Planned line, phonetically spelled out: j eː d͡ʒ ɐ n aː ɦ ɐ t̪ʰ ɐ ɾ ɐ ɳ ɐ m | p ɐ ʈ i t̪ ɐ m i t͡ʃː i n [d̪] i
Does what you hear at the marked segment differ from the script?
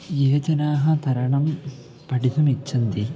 no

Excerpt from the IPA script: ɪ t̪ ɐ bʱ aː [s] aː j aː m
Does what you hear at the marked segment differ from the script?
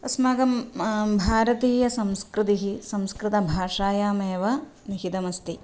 yes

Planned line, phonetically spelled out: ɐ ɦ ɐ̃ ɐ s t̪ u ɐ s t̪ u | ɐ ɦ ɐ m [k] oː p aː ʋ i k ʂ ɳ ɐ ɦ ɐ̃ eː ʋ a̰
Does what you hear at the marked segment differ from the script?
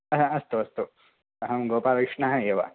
yes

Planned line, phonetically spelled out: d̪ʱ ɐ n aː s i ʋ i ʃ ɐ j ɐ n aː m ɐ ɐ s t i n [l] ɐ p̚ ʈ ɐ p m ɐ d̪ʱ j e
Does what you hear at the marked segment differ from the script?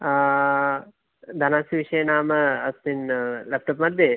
no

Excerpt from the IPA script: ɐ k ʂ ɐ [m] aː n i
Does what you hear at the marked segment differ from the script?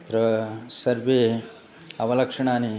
yes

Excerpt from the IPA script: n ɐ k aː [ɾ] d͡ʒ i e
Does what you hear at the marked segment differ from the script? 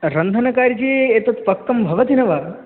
no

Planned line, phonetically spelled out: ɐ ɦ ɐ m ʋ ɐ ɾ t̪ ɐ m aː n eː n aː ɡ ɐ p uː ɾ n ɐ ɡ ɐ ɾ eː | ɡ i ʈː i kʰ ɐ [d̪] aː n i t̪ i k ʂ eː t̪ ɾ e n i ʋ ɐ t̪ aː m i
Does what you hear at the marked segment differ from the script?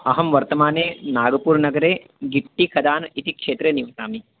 no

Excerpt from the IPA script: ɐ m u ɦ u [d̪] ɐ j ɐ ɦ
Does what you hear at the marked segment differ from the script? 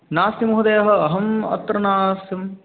no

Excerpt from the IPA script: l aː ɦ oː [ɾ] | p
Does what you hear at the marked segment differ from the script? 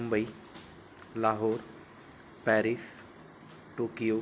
no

